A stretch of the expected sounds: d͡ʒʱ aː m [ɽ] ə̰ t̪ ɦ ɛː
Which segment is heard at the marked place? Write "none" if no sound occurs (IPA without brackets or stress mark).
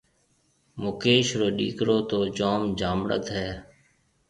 ɽ